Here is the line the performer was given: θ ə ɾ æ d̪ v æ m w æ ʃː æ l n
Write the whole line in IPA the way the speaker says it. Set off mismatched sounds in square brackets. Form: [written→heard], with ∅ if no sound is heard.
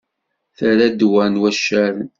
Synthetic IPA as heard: θ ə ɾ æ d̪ [v→w] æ [m→n] w æ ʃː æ [l→ɾ] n